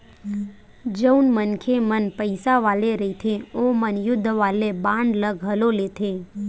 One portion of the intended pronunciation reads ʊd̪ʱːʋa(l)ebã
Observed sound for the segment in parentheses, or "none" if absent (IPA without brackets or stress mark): l